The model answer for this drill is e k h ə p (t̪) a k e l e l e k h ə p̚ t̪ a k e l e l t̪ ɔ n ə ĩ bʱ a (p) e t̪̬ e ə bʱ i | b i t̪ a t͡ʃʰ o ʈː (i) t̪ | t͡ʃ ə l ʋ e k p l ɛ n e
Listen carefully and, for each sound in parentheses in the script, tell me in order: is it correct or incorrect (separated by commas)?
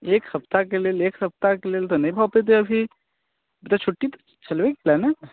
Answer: correct, correct, correct